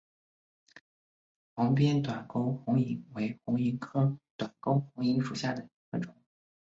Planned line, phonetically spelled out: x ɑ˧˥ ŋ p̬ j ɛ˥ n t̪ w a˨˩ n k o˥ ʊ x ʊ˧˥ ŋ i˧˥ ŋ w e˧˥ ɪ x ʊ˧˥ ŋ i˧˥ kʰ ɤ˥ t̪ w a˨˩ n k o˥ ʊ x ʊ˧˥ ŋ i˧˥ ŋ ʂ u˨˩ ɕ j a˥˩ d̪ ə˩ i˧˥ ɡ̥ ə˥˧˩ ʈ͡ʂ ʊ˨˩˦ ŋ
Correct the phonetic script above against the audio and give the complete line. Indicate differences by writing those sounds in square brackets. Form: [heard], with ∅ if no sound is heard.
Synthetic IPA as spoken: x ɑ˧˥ ŋ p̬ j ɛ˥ n t̪ w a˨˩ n k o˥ ʊ x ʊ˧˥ ŋ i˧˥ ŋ w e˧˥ ɪ x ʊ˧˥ ŋ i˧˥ kʰ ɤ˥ t̪ w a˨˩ n k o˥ ʊ x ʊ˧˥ ŋ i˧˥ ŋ ʂ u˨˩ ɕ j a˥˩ d̪ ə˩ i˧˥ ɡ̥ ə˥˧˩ ʈ͡ʂ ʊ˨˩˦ ŋ